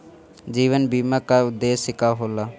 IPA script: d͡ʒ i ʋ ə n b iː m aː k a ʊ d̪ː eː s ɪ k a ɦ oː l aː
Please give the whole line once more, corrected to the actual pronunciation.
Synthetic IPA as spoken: d͡ʒ iː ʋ ə n b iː m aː k a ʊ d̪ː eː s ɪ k a ɦ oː l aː

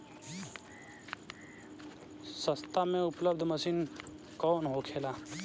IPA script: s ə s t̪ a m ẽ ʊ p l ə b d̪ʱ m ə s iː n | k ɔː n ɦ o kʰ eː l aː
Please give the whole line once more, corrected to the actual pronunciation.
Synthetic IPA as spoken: s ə s t̪ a m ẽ ʊ p l ə b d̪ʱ m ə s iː n | k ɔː n ɦ o kʰ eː l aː

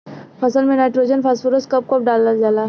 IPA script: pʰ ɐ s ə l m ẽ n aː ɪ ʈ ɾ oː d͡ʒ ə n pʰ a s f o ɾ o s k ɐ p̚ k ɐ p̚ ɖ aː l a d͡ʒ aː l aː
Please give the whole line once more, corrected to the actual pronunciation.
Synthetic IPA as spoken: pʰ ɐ s ə l m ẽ n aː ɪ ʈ ɾ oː d͡ʒ ə n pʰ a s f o ɾ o s k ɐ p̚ k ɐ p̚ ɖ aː l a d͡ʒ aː l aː

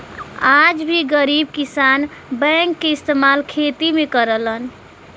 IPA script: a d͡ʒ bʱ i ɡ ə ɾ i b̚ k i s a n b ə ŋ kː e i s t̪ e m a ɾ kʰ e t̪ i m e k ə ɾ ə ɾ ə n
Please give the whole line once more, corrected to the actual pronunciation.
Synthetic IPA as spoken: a d͡ʒ bʱ i ɡ ə ɾ i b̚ k i s a n b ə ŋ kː e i s t̪ e m a l kʰ e t̪ i m e k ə ɾ ə l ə n

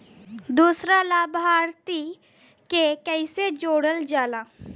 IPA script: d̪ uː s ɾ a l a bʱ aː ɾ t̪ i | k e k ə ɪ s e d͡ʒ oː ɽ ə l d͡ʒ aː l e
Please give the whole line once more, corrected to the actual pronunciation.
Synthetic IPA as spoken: d̪ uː s ɾ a l a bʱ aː ɾ t̪ i | k e k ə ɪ s e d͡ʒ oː ɽ ə l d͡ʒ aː l a

